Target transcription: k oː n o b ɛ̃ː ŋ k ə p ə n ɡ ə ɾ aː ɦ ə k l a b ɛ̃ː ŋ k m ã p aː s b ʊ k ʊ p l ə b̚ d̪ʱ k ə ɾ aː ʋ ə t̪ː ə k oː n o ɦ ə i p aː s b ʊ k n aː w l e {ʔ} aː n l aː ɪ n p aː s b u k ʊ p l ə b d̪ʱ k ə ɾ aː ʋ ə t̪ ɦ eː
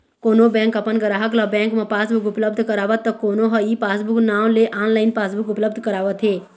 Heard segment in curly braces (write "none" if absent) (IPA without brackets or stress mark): ʔ